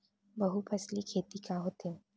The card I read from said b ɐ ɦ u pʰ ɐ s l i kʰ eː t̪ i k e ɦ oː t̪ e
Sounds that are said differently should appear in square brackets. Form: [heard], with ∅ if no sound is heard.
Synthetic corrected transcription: b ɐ ɦ u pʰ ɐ s l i kʰ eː t̪ i k [a] ɦ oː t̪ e